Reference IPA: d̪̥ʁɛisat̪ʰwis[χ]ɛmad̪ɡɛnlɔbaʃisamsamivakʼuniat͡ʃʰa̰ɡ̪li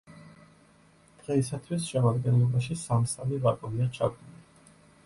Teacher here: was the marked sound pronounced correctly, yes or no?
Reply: no